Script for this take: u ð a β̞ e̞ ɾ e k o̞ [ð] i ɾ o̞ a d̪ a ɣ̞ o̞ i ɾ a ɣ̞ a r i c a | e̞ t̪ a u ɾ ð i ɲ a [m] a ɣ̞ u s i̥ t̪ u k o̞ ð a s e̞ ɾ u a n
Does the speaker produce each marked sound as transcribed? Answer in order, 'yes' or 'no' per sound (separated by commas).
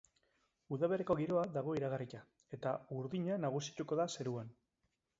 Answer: no, no